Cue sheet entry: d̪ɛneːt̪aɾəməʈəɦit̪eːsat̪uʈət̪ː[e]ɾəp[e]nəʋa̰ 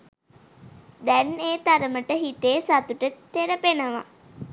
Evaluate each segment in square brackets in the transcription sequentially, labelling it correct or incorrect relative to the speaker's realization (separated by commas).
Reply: correct, correct